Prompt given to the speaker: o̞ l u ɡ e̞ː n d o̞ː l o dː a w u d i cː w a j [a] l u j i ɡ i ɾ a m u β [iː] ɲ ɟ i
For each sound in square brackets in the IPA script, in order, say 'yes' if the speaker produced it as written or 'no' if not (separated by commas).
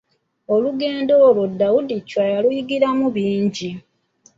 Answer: yes, yes